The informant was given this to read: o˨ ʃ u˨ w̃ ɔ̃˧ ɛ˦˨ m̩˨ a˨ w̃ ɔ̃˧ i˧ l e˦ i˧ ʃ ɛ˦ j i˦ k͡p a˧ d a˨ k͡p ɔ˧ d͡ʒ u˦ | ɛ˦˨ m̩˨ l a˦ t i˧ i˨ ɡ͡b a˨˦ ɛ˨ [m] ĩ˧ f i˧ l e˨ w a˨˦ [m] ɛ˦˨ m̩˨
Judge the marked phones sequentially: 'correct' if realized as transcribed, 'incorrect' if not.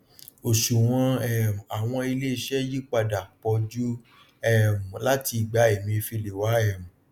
correct, incorrect: none

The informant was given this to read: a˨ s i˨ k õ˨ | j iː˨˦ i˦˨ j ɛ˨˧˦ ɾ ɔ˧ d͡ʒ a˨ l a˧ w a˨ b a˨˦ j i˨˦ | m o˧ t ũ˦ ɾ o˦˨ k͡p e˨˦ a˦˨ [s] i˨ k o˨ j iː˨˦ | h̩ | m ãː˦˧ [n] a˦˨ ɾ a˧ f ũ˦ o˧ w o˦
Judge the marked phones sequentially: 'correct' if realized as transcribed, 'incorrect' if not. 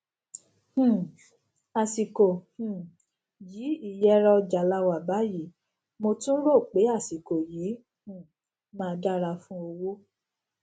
correct, incorrect: d

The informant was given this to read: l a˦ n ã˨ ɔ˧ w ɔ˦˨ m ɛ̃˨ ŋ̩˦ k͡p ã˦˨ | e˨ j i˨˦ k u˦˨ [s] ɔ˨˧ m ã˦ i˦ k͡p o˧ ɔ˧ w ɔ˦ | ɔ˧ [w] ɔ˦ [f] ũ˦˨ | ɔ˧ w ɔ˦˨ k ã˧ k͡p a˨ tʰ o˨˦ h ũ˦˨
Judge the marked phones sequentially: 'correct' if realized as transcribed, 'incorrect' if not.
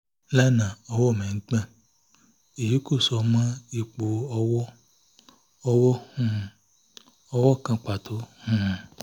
correct, correct, incorrect: h

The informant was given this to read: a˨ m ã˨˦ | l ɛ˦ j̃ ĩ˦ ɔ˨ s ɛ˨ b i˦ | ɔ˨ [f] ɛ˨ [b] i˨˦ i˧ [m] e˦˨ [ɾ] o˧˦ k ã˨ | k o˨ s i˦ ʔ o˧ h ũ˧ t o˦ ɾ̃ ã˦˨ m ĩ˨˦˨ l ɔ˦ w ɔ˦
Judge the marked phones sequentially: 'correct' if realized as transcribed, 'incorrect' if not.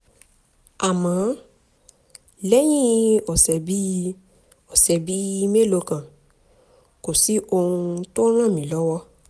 incorrect: s, correct, correct, incorrect: l

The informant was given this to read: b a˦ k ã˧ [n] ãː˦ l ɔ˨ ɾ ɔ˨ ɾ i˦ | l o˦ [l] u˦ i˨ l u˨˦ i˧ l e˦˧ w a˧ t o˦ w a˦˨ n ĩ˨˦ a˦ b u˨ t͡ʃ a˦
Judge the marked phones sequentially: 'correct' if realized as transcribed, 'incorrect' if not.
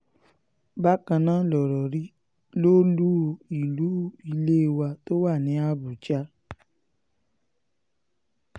correct, correct

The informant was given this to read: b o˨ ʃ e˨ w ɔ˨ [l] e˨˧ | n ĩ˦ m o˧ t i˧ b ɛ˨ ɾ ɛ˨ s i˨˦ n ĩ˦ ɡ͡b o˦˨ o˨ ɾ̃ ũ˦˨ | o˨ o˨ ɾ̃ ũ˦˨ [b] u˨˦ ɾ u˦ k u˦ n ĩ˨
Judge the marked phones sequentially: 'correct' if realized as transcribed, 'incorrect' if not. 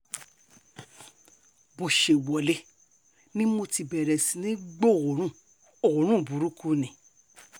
correct, correct

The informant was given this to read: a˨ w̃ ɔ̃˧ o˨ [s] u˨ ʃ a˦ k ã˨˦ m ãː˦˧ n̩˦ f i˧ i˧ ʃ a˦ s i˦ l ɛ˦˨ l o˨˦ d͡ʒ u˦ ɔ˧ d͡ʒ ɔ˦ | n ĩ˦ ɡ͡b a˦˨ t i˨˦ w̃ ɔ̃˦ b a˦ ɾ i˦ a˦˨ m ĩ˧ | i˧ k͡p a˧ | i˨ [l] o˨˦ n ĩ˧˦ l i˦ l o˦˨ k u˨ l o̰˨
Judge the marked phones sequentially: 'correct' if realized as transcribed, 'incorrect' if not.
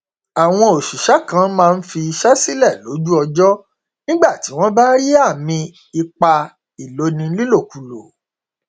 incorrect: ʃ, correct

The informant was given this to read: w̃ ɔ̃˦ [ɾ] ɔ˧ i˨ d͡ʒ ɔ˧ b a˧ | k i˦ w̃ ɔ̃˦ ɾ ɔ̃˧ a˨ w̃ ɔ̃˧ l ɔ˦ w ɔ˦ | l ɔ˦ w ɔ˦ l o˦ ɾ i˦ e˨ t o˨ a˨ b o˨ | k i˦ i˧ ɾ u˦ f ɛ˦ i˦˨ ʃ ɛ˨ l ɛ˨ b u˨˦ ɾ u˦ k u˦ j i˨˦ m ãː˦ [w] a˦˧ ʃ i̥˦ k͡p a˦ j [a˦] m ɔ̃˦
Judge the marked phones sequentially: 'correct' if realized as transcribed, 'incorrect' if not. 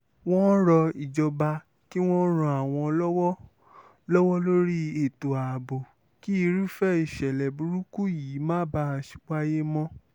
correct, incorrect: b, incorrect: e˦

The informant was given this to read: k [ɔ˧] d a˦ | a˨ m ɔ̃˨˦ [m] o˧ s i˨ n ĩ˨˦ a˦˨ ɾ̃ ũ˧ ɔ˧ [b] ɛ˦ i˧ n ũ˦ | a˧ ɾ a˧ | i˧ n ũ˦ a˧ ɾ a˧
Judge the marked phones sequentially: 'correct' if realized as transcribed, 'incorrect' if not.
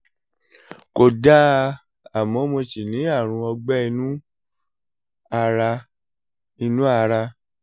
incorrect: o˧, correct, incorrect: ɡ͡b

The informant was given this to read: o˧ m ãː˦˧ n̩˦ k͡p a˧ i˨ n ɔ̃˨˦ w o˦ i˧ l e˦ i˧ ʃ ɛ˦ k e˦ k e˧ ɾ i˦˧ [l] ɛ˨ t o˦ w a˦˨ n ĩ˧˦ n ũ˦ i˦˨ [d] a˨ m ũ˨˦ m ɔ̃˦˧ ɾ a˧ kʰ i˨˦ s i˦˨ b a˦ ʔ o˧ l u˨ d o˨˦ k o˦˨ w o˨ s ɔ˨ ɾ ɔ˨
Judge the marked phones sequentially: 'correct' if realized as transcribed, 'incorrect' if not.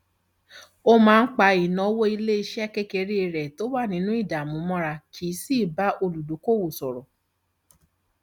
incorrect: ɾ, correct

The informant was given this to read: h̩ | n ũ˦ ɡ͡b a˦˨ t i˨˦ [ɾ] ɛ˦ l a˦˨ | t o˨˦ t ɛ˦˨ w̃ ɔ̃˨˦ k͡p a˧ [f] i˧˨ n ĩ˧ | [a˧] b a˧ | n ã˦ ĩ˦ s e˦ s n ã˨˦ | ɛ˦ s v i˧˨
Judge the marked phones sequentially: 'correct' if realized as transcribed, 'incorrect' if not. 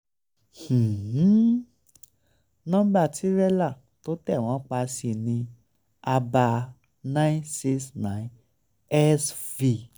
correct, incorrect: s, correct

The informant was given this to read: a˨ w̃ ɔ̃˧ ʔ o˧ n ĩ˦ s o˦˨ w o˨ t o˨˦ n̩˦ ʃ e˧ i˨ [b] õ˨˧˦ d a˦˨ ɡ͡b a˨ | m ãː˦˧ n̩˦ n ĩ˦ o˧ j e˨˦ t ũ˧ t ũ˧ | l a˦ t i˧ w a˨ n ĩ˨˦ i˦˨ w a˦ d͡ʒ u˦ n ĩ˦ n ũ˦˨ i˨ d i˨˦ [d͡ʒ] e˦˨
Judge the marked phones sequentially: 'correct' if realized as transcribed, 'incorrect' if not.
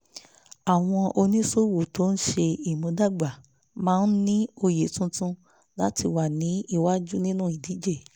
incorrect: m, correct

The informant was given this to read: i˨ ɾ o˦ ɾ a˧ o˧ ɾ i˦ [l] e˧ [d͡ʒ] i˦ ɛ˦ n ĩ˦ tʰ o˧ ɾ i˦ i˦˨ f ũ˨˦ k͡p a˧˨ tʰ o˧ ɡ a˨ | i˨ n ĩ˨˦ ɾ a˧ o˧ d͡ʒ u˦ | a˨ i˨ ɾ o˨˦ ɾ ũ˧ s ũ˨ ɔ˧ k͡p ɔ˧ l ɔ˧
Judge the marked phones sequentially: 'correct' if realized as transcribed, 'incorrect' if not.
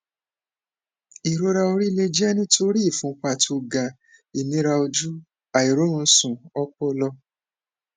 correct, correct

